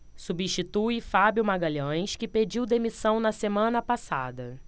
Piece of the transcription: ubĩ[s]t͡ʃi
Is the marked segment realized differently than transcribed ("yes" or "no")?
yes